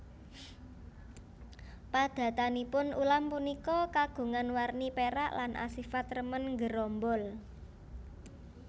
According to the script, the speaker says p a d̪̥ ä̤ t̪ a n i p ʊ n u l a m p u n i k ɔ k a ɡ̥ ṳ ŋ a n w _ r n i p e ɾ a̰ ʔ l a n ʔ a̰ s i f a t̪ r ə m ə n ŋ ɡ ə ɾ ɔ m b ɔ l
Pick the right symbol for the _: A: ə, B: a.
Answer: B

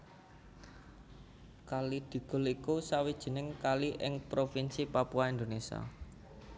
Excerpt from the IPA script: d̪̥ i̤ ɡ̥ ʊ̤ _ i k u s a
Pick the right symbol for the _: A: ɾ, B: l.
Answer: B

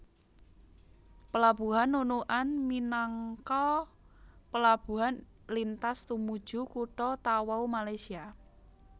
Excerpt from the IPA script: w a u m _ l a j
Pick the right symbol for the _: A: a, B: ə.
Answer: A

